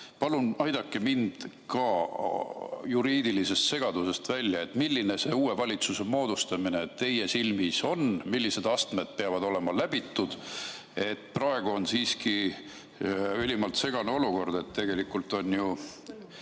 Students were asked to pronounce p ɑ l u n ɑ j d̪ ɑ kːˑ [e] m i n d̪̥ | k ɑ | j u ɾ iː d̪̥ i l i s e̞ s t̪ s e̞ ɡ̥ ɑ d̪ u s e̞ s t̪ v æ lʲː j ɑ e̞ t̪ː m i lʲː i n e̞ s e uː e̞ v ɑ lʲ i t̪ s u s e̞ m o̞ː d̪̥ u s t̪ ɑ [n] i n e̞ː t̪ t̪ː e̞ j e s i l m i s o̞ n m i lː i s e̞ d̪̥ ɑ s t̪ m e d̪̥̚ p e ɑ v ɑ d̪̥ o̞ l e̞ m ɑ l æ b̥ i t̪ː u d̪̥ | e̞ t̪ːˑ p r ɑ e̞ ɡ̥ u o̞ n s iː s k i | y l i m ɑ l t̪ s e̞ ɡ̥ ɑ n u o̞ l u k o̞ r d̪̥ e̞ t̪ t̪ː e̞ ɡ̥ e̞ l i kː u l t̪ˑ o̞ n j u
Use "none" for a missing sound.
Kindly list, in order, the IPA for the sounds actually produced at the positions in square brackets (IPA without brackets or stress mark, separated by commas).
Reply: e, m